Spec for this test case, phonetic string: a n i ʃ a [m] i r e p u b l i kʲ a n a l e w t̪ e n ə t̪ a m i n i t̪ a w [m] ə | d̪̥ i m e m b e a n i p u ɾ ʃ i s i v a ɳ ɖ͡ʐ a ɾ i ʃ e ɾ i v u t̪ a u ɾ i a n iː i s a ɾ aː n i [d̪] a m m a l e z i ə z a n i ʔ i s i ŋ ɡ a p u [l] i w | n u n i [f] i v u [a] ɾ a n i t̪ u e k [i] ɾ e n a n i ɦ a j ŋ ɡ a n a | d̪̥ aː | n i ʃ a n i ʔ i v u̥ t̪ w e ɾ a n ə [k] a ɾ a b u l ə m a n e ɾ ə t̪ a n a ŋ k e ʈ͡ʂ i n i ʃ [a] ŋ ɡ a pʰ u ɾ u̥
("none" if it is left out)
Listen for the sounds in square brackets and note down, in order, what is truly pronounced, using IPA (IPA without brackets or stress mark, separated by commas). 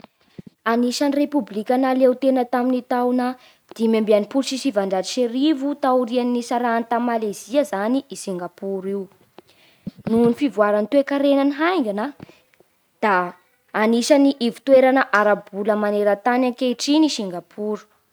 n, n, t̪, ɾ, f, a, a, ʔ, i